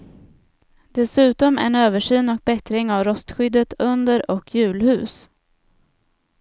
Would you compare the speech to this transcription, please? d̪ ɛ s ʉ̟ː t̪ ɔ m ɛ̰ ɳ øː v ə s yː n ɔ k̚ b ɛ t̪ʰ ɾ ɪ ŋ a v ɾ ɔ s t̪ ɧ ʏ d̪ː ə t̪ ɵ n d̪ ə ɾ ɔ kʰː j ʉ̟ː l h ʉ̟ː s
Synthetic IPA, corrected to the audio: d̪ ɛ s ʉ̟ː t̪ ɔ m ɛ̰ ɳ øː v ə ʂ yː n ɔ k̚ b ɛ t̪ ɾ ɪ ŋ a v ɾ ɔ s t̪ ɧ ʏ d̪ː ə t̪ ɵ n d̪ ə ɾ ɔ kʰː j ʉ̟ː l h ʉ̟ː s